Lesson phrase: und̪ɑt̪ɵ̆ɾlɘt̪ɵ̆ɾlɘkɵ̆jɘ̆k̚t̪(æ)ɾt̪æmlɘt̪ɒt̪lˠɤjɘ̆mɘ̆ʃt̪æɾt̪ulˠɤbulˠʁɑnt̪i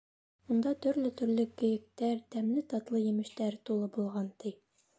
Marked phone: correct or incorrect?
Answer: correct